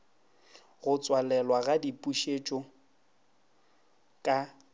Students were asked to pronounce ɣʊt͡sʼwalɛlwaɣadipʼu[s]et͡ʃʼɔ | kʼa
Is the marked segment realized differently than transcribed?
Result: yes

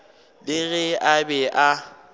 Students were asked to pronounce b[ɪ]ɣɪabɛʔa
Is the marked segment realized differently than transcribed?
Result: no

